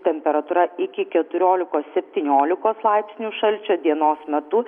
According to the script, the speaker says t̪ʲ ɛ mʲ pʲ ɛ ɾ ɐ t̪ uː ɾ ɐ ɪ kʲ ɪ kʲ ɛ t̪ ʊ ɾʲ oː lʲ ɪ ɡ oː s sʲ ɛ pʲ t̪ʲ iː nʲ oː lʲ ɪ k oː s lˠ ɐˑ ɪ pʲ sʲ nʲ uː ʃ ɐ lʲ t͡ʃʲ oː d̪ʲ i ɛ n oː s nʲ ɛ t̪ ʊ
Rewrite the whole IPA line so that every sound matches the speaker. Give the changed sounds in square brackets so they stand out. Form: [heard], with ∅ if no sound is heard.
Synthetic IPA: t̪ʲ ɛ mʲ pʲ ɛ ɾ ɐ t̪ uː ɾ ɐ ɪ kʲ ɪ kʲ ɛ t̪ ʊ ɾʲ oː lʲ ɪ [k] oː s sʲ ɛ pʲ t̪ʲ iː nʲ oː lʲ ɪ k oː s lˠ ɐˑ ɪ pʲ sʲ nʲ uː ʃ ɐ lʲ t͡ʃʲ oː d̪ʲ i ɛ n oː s [mʲ] ɛ t̪ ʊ